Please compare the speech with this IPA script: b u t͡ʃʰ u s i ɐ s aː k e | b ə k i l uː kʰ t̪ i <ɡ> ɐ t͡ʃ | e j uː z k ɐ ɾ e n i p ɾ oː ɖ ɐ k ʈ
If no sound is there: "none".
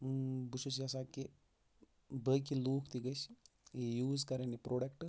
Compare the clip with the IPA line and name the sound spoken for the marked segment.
ɡ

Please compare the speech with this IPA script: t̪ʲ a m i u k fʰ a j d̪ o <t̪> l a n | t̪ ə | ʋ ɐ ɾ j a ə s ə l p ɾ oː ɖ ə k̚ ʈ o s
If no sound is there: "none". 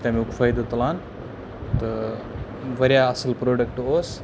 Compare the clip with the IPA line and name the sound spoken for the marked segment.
t̪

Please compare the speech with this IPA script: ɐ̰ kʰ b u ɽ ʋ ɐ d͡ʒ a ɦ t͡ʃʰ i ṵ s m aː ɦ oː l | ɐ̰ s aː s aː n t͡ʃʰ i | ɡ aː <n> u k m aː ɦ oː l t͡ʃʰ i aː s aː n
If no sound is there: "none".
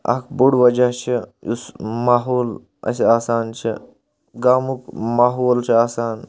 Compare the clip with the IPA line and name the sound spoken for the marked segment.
m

